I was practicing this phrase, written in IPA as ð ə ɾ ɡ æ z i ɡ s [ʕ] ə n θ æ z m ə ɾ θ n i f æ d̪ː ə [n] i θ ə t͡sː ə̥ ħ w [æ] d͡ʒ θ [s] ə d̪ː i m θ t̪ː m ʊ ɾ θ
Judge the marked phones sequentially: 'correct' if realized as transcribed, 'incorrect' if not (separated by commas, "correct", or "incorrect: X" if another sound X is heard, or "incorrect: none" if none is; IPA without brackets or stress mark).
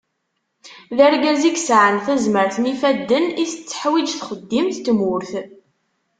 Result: correct, correct, incorrect: i, incorrect: χ